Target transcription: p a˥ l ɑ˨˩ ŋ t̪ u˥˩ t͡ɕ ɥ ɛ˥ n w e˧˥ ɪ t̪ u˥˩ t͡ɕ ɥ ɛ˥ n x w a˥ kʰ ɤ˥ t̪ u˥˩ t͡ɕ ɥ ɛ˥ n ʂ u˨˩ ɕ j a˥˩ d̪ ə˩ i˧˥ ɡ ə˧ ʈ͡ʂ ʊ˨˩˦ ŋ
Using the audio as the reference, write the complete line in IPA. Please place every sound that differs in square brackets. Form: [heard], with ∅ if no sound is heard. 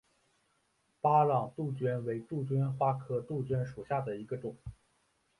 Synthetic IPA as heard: p a˥ l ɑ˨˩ ŋ t̪ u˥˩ t͡ɕ ɥ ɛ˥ n w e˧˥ ɪ t̪ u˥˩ t͡ɕ ɥ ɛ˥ n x w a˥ kʰ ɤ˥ t̪ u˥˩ t͡ɕ ɥ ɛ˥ n ʂ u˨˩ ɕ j a˥˩ d̪ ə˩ i˧˥ ɡ ə˧ ʈ͡ʂ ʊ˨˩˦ ŋ